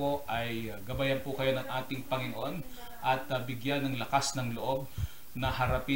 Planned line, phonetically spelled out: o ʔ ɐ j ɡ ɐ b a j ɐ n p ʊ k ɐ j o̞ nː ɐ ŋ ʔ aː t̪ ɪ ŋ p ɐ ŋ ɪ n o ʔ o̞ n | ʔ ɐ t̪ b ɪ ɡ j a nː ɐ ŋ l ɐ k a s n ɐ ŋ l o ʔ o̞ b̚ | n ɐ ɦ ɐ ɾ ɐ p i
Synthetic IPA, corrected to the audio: o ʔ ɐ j ɡ ɐ b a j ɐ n p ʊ k ɐ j o̞ n ɐ ŋ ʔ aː t̪ ɪ ŋ p ɐ ŋ ɪ n o ʔ o̞ n | ʔ ɐ t̪ b ɪ ɡ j a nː ɐ ŋ l ɐ k a s n ɐ ŋ l o ʔ o̞ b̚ | n ɐ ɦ ɐ ɾ ɐ p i